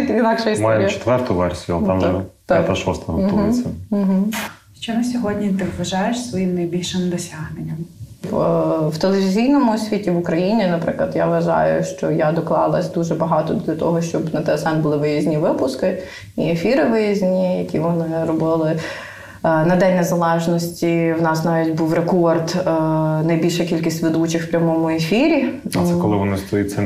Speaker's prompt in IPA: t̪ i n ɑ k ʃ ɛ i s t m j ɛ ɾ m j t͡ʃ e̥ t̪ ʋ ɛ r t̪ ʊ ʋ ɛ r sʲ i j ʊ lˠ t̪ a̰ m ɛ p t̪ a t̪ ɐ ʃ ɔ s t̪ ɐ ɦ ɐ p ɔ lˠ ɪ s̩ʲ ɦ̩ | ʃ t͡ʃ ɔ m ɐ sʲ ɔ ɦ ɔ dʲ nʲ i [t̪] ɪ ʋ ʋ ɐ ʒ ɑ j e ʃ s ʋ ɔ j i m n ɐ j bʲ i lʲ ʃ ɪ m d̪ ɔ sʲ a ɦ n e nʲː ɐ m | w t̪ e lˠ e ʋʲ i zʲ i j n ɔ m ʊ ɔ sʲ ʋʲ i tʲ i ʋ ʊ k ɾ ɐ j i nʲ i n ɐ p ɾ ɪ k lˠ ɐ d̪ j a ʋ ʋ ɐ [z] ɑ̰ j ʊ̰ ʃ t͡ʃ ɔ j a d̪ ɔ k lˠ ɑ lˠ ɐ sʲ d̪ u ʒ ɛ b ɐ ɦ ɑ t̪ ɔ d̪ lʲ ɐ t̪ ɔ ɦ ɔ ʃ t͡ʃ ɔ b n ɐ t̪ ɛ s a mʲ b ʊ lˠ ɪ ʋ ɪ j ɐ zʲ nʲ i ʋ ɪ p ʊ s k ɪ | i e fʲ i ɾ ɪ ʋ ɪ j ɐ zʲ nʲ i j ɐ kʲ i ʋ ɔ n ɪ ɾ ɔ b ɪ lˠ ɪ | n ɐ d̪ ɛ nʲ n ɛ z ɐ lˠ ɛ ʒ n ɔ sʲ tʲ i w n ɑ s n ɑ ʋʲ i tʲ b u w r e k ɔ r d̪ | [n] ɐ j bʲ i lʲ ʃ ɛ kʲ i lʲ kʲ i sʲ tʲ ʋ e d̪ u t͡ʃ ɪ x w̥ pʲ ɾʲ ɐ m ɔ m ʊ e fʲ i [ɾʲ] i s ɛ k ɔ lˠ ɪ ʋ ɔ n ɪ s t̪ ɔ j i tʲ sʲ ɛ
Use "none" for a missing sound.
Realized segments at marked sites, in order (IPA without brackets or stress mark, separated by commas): t̪, ʒ, n, ɾʲ